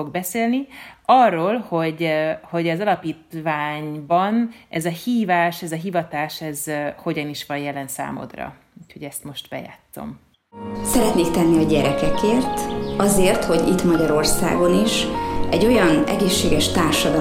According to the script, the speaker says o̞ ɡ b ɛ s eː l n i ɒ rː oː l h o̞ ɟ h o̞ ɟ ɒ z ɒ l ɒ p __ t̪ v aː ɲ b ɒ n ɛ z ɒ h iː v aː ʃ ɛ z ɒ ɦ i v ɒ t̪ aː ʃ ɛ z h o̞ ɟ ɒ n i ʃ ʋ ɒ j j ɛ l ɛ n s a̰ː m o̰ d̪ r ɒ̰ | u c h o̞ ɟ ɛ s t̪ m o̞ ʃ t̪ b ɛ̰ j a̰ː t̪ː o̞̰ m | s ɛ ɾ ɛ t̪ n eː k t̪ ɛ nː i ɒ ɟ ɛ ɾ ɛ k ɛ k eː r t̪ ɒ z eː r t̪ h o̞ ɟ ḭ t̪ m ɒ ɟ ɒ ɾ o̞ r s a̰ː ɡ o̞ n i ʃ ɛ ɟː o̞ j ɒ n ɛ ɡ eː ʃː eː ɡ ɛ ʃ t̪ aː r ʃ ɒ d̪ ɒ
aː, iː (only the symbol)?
iː